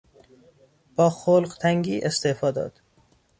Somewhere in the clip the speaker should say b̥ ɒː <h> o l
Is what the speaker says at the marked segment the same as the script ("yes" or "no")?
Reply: no